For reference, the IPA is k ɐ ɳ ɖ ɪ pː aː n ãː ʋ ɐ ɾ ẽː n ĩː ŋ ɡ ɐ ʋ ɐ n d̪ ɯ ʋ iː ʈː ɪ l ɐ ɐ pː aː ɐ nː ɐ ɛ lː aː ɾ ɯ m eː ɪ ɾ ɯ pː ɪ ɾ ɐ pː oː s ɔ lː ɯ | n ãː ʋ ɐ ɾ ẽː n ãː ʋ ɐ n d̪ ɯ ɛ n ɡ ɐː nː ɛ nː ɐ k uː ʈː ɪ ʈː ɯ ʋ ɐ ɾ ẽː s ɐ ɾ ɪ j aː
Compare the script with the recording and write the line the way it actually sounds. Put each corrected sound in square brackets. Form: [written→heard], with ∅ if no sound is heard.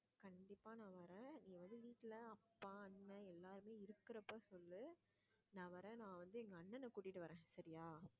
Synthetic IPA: k ɐ ɳ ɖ ɪ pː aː n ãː ʋ ɐ ɾ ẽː n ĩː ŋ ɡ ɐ ʋ ɐ n d̪ ɯ ʋ iː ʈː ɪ l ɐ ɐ pː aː ɐ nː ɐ ɛ lː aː ɾ ɯ m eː ɪ ɾ ɯ [pː→kː] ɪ ɾ ɐ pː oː s ɔ lː ɯ | n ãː ʋ ɐ ɾ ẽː n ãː ʋ ɐ n d̪ ɯ ɛ [n→ŋ] ɡ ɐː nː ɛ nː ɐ k uː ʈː ɪ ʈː ɯ ʋ ɐ ɾ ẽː s ɐ ɾ ɪ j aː